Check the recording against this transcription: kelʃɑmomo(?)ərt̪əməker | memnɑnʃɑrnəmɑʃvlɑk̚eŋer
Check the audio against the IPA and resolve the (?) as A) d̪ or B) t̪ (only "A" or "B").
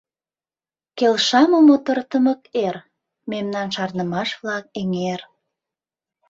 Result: B